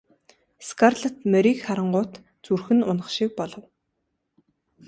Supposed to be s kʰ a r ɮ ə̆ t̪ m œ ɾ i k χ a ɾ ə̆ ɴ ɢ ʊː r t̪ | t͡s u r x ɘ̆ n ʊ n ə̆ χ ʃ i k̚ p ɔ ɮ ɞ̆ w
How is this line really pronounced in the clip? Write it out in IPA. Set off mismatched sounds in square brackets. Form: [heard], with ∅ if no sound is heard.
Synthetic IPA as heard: s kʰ a r ɮ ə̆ t̪ m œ ɾ i k χ a ɾ ə̆ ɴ ɢ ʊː [∅] t̪ | t͡s u r x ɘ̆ n ʊ n ə̆ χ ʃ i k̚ p ɔ ɮ ɞ̆ w